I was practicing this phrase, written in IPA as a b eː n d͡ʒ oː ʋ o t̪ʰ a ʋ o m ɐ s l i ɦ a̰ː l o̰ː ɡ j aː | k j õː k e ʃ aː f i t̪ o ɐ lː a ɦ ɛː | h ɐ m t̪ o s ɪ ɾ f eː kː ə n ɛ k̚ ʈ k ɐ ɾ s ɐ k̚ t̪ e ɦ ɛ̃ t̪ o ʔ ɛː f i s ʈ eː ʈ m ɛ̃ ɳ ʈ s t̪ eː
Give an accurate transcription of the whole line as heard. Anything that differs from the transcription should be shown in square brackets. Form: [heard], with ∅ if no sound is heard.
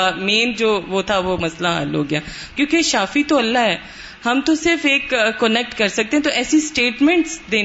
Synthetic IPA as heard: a [m] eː n d͡ʒ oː ʋ o t̪ʰ a ʋ o m ɐ s l [a] ɦ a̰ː l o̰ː ɡ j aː | k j õː k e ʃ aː f i t̪ o ɐ lː a ɦ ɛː | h ɐ m t̪ o s ɪ ɾ f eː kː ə n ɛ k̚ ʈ k ɐ ɾ s ɐ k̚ t̪ e ɦ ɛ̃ t̪ o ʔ ɛː [s] i s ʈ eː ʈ m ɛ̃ ɳ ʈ s [d̪] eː